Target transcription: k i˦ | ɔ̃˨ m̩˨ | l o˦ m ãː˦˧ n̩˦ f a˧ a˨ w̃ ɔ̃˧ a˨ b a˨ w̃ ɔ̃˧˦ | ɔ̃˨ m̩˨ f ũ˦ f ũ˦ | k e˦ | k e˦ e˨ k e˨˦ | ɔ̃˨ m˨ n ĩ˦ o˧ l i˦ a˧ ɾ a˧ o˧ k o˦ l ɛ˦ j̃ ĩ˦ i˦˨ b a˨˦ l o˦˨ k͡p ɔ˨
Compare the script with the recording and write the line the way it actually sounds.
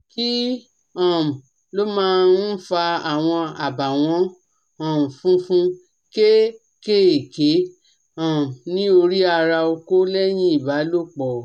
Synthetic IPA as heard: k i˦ | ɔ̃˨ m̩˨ | l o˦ m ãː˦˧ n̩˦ f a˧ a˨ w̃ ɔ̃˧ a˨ b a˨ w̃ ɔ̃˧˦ | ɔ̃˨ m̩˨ f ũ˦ f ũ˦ | k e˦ | k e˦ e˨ k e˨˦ | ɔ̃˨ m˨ n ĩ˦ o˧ ɾ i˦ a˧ ɾ a˧ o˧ k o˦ l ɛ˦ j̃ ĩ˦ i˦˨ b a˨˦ l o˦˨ k͡p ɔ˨